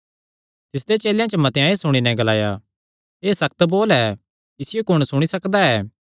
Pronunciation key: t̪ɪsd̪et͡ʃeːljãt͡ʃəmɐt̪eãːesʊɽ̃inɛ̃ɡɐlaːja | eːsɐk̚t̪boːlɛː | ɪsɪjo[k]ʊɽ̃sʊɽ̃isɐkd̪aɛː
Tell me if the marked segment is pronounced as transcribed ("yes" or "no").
yes